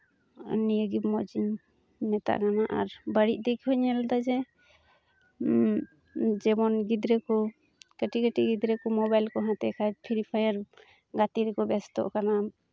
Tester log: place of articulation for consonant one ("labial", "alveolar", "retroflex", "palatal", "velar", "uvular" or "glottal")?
alveolar